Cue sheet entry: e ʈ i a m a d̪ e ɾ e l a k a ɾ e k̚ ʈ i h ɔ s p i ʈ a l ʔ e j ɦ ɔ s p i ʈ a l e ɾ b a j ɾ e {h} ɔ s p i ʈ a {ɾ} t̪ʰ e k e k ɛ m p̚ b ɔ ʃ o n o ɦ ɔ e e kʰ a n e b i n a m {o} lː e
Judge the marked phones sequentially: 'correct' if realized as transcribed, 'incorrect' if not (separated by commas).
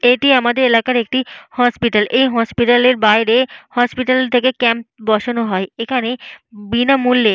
correct, incorrect, incorrect